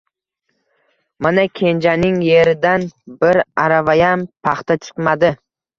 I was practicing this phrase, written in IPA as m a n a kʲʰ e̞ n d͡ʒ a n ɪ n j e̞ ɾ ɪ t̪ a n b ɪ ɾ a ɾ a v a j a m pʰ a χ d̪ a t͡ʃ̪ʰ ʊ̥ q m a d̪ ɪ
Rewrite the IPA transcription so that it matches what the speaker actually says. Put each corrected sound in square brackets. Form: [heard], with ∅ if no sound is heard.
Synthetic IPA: m a n a kʲʰ e̞ n d͡ʒ a n ɪ [ŋ] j e̞ ɾ ɪ [d̪] a n b ɪ ɾ a ɾ a v a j a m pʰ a χ [t̪] a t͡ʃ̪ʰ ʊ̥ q m a d̪ ɪ